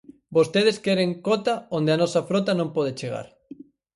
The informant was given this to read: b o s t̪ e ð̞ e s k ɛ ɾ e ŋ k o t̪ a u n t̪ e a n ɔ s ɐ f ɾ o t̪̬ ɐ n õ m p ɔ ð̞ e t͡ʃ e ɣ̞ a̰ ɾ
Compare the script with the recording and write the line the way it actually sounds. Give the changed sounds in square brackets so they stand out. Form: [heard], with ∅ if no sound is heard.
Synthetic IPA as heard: b o s t̪ e ð̞ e s k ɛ ɾ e ŋ k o t̪ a [o] n [d̪] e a n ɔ s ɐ f ɾ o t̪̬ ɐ n õ m p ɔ ð̞ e t͡ʃ e ɣ̞ a̰ ɾ

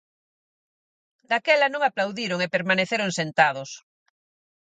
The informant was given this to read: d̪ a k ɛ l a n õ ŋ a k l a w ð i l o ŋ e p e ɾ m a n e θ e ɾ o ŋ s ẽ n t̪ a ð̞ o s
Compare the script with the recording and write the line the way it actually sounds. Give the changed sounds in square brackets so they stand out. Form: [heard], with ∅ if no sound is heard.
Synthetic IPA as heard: d̪ a k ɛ l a n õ ŋ a [p] l a w ð i [ɾ] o ŋ e p e ɾ m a n e θ e ɾ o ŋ s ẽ n t̪ a ð̞ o s

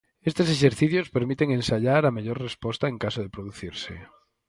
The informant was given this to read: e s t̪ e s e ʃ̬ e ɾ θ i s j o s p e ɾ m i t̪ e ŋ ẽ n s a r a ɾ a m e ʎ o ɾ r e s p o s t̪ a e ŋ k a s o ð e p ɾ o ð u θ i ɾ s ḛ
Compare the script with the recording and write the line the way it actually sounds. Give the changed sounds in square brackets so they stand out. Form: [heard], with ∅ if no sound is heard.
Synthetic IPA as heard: e s t̪ e s e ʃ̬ e ɾ θ i [θ] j o s p e ɾ m i t̪ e ŋ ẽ n s a [ʎ] a ɾ a m e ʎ o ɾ r e s p o s t̪ a e ŋ k a s o ð e p ɾ o ð u θ i ɾ s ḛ

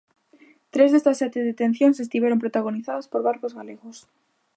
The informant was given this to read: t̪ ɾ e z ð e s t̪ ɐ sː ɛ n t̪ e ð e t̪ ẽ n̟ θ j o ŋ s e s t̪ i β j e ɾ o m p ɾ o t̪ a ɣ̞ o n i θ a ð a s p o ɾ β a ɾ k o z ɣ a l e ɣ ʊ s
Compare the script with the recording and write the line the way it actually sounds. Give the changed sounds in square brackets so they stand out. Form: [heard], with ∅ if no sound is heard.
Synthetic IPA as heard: t̪ ɾ e z ð e s t̪ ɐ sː ɛ [∅] t̪ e ð e t̪ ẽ n̟ θ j o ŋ s e s t̪ i β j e ɾ o m p ɾ o t̪ a ɣ̞ o n i θ a ð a s p o ɾ β a ɾ k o z ɣ a l e ɣ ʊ s

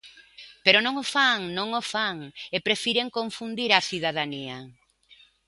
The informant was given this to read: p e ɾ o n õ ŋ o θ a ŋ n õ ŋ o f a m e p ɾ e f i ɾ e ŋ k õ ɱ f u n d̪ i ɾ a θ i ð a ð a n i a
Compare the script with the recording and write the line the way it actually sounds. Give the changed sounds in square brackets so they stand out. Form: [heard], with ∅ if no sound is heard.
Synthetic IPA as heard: p e ɾ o n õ ŋ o [f] a ŋ n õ ŋ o f a [ŋ] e p ɾ e f i ɾ e ŋ k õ ɱ f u n d̪ i ɾ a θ i ð a ð a n i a

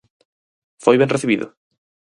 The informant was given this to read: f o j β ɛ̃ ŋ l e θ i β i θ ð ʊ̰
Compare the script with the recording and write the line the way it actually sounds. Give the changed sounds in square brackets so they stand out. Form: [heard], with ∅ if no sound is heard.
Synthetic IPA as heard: f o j β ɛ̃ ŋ [r] e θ i β i [∅] ð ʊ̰

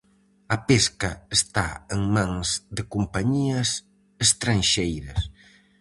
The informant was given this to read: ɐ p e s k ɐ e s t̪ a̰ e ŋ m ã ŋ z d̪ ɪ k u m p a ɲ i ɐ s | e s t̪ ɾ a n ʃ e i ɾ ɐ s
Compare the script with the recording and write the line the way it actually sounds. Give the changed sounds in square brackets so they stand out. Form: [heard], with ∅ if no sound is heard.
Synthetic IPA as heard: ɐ p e s k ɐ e s t̪ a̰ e ŋ m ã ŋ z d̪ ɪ k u m p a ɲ i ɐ s | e s t̪ ɾ a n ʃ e [j] ɾ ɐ s

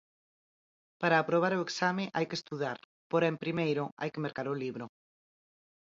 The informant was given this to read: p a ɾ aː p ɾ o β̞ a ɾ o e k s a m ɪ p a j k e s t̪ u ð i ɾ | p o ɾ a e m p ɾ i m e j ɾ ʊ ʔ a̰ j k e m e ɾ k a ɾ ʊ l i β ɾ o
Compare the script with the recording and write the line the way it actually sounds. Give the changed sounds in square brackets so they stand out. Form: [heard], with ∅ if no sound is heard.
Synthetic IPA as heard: p a ɾ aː p ɾ o β̞ a ɾ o e k s a m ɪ [ʔ] a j k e s t̪ u ð [a] ɾ | p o ɾ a e m p ɾ i m e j ɾ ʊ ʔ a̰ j k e m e ɾ k a ɾ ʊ l i β ɾ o

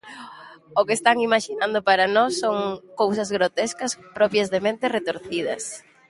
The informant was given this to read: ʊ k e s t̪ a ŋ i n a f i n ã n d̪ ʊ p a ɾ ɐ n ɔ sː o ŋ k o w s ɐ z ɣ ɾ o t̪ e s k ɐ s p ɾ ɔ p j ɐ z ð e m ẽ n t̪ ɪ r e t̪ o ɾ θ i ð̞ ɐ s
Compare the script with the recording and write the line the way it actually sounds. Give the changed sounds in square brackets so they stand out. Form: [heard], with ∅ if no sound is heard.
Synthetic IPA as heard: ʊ k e s t̪ a ŋ i [m] a [ʃ] i n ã n d̪ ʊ p a ɾ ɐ n ɔ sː o ŋ k o w s ɐ z ɣ ɾ o t̪ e s k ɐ s p ɾ ɔ p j ɐ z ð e m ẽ n t̪ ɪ r e t̪ o ɾ θ i ð̞ ɐ s

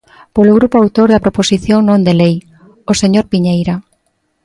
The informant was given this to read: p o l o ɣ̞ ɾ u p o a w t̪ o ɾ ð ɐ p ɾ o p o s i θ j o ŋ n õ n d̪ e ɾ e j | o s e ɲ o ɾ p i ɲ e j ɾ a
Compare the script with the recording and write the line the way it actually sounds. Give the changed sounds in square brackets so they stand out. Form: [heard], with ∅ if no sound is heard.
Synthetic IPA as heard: p o l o ɣ̞ ɾ u p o a w t̪ o ɾ ð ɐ p ɾ o p o s i θ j o ŋ n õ n d̪ e [l] e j | o s e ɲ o ɾ p i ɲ e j ɾ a

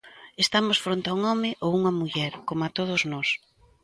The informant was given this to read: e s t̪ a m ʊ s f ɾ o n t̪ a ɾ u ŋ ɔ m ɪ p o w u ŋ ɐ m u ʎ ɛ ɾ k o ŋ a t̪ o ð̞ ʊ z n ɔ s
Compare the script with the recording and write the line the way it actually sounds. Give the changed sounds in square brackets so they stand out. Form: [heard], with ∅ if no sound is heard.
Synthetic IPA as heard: e s t̪ a m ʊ s f ɾ o n t̪ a [∅] u ŋ ɔ m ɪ [ʔ] o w u ŋ ɐ m u ʎ ɛ ɾ k o [m] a t̪ o ð̞ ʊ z n ɔ s

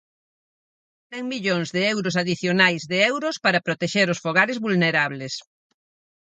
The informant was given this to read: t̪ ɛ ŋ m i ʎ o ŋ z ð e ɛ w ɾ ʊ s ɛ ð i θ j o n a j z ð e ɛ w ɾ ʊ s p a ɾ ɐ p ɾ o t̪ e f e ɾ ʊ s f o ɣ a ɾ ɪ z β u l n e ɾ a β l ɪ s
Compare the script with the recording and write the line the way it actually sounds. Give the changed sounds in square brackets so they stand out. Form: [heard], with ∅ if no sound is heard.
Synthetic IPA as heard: t̪ ɛ ŋ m i ʎ o ŋ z ð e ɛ w ɾ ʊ s [a] ð i θ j o n a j z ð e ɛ w ɾ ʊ s p a ɾ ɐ p ɾ o t̪ e [ʃ] e ɾ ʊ s f o ɣ a ɾ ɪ z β u l n e ɾ a β l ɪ s

